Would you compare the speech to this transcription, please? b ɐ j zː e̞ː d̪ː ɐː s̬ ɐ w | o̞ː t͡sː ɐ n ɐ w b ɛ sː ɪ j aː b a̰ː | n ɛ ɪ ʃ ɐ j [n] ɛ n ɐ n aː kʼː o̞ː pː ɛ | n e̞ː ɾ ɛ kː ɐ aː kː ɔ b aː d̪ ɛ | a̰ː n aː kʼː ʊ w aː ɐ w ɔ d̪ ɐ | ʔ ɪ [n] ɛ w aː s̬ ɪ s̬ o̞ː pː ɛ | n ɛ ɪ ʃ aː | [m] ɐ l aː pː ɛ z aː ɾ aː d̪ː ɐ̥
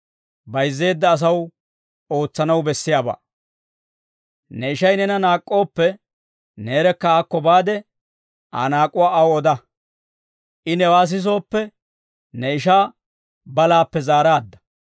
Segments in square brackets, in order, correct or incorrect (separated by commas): correct, correct, incorrect